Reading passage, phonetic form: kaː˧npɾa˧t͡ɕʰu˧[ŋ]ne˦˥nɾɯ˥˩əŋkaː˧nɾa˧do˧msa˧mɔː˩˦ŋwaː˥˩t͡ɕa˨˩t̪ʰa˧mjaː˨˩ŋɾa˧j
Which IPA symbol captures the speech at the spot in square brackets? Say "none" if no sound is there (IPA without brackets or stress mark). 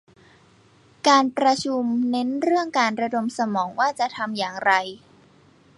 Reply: m